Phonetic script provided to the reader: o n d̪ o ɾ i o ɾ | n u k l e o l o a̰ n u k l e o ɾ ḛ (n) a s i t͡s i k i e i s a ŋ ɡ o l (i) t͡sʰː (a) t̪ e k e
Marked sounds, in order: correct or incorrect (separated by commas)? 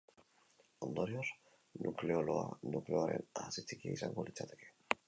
correct, correct, correct